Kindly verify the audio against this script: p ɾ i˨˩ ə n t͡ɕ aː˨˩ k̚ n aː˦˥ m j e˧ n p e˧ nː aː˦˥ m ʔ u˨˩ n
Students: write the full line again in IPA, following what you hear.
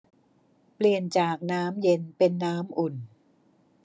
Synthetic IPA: p l i˨˩ ə n t͡ɕ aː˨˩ k̚ n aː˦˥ m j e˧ n p e˧ nː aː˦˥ m ʔ u˨˩ n